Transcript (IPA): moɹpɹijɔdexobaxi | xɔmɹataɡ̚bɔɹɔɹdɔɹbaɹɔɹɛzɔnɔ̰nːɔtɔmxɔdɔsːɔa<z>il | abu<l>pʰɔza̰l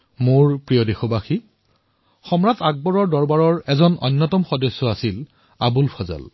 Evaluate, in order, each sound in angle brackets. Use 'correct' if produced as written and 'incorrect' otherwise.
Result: incorrect: s, correct

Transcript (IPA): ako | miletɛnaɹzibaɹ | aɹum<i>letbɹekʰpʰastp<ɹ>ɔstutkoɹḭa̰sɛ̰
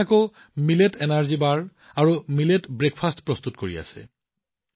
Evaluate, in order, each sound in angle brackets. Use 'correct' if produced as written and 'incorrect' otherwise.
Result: correct, correct

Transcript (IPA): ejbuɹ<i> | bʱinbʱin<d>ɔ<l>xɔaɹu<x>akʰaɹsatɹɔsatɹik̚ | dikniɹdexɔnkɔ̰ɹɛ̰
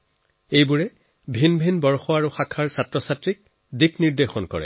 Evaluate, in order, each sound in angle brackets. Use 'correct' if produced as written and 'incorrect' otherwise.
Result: incorrect: ɛ, incorrect: b, incorrect: ɹ, correct

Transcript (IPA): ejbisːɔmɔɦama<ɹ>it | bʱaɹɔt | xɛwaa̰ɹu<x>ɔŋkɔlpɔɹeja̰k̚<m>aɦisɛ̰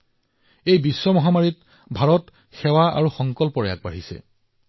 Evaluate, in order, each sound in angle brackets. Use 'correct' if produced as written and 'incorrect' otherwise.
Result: correct, correct, incorrect: b

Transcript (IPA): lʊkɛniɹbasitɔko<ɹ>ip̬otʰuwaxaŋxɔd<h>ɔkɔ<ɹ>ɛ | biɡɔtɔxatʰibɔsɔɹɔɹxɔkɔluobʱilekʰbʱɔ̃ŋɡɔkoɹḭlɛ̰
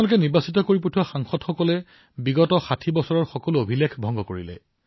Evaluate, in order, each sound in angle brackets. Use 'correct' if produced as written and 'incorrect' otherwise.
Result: correct, incorrect: x, incorrect: l

